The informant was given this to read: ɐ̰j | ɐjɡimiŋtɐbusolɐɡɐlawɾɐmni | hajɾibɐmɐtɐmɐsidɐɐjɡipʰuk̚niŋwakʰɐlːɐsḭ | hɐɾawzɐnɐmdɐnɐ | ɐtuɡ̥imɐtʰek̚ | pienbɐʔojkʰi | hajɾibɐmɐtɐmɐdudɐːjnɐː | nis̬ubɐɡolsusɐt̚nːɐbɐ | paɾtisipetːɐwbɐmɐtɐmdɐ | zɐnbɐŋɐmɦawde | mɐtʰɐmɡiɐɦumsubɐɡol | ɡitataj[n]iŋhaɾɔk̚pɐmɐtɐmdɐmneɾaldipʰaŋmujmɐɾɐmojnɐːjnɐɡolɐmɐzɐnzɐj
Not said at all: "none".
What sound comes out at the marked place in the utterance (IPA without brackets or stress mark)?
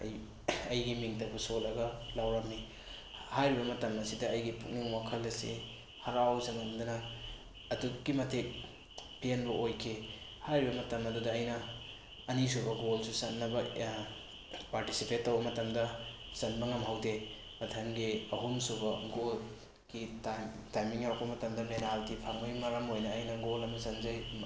m